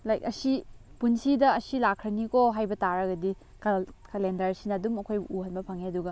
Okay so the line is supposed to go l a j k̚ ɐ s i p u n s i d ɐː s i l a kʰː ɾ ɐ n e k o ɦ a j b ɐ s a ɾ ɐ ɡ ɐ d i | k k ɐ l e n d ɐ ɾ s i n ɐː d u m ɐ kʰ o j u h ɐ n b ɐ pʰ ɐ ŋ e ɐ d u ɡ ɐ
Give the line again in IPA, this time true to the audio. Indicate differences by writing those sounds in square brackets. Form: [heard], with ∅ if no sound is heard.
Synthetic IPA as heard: l a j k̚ ɐ s i p u n s i d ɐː s i l a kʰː ɾ ɐ n [i] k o ɦ a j b ɐ [t] a ɾ ɐ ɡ ɐ d i | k k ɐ l e n d ɐ ɾ s i n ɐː d u m ɐ kʰ o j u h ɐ n b ɐ pʰ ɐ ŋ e ɐ d u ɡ ɐ